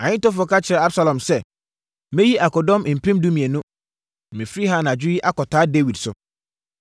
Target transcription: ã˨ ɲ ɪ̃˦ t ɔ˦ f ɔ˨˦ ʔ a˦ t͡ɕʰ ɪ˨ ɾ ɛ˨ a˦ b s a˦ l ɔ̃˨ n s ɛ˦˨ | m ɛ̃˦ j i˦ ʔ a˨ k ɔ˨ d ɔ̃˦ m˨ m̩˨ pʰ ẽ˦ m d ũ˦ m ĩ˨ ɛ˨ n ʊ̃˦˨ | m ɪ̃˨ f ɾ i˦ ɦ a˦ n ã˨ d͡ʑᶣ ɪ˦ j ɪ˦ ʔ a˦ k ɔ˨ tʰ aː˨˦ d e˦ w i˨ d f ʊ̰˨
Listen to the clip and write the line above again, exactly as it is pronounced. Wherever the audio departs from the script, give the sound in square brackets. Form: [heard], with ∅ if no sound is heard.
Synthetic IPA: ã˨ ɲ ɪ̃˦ t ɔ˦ f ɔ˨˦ [k] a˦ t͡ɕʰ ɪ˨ ɾ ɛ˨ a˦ b s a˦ l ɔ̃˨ [m] s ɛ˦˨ | m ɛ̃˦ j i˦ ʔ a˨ k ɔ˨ d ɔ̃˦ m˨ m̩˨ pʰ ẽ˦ m d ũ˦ m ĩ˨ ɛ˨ n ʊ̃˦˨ | m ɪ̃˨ f ɾ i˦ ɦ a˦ n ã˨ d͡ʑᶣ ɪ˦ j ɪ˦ ʔ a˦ k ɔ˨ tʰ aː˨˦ d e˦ w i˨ d [s] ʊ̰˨